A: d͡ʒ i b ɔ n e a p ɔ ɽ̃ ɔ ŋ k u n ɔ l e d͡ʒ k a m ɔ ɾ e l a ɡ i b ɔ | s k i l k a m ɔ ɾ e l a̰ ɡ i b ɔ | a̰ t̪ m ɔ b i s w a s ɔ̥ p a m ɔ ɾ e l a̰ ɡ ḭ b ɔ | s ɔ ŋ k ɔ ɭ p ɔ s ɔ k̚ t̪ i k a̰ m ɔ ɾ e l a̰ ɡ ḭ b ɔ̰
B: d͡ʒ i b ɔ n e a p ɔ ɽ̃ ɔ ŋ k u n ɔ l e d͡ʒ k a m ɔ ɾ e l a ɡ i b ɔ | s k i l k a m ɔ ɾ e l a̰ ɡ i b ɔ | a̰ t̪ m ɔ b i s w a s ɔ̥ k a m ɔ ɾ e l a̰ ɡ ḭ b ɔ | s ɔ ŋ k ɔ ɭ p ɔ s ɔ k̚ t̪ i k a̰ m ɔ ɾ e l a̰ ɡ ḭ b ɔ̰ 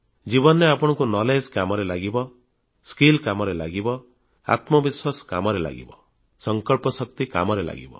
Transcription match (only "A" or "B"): B